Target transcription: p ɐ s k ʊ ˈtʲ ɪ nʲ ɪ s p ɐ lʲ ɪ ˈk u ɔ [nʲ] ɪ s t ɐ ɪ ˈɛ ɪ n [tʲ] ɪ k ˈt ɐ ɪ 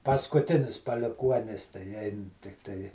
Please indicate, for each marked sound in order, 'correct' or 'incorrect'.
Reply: correct, correct

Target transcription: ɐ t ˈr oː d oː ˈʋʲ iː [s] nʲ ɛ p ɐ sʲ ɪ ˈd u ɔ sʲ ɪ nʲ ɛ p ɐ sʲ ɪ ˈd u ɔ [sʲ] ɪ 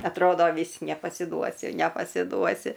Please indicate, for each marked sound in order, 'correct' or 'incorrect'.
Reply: correct, correct

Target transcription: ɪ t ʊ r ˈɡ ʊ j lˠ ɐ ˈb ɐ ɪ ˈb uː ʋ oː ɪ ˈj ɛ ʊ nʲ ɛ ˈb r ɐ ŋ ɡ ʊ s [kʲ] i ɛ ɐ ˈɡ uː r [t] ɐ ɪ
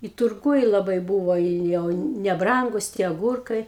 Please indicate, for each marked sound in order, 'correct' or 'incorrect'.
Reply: incorrect, incorrect

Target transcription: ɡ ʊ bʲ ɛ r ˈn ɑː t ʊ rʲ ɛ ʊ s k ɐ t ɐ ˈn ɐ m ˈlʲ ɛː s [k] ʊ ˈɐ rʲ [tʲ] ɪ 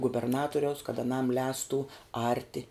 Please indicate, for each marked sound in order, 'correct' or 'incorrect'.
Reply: incorrect, correct

